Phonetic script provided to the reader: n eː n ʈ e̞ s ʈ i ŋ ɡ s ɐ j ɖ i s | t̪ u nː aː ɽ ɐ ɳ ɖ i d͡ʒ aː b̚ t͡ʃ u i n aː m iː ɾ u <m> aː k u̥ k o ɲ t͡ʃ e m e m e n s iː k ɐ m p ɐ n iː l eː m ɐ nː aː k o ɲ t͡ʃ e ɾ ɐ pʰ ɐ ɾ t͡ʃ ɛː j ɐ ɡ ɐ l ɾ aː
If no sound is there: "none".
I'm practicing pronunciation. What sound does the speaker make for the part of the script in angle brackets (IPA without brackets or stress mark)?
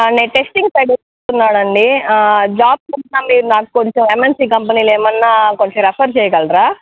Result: n